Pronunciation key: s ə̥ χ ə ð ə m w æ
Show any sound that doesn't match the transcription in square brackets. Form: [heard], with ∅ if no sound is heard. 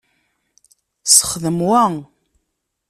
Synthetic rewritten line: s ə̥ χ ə ð ə m w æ

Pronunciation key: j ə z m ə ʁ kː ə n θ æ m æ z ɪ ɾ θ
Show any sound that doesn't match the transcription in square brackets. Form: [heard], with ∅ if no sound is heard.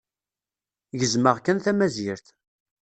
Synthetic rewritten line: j ə z m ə ʁ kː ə n θ æ m æ z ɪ ɾ θ

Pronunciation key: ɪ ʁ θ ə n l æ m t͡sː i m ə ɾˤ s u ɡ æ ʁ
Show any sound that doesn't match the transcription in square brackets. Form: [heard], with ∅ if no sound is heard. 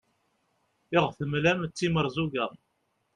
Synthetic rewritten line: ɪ ʁ θ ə [m] l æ m t͡sː i m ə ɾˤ [z] u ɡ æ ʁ

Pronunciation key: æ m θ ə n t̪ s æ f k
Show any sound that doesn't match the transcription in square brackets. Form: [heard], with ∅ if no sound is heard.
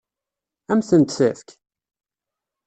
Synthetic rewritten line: æ m θ ə n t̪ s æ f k

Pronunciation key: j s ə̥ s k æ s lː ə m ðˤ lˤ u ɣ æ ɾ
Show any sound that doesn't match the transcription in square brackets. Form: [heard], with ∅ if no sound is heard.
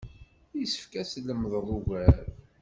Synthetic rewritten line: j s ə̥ [f] k æ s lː ə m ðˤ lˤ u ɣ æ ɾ

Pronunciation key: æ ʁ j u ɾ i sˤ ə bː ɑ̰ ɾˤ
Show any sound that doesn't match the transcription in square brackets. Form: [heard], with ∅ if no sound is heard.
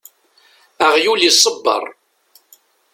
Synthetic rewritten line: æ ʁ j u [l] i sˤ ə bː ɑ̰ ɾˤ

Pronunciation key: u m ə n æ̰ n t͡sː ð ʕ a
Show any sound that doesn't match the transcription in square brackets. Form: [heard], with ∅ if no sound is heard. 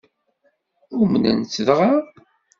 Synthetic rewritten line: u m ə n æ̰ n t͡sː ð [ʁ] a

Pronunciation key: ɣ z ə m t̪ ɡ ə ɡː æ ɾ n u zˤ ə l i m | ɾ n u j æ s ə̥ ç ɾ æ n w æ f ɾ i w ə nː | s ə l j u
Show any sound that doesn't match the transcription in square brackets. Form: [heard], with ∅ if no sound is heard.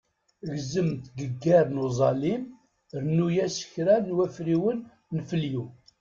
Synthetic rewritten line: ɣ z ə m t̪ ɡ ə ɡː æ ɾ n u zˤ [ɑ] l i m | ɾ n u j æ s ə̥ ç ɾ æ n w æ f ɾ i w ə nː | [f] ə l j u

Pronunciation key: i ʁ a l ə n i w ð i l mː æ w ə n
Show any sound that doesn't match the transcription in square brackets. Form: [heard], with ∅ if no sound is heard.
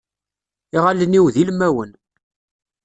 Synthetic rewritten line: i ʁ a l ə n i w ð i l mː æ w ə n

